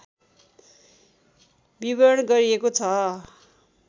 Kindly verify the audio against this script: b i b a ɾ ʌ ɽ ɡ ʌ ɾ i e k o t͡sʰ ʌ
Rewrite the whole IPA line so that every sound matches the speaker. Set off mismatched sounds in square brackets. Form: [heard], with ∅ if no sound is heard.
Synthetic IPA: b i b [ʌ] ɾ ʌ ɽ ɡ ʌ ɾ i e k o t͡sʰ ʌ